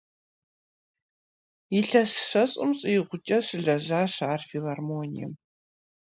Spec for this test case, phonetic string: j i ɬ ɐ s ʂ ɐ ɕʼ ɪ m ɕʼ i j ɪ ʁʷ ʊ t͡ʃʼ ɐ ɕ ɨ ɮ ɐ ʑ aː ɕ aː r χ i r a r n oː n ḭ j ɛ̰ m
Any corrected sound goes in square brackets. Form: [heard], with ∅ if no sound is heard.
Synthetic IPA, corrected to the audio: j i ɬ ɐ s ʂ ɐ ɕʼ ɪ m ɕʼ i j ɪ ʁʷ ʊ t͡ʃʼ ɐ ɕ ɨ ɮ ɐ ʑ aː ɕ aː r [f] i [l] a r [m] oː n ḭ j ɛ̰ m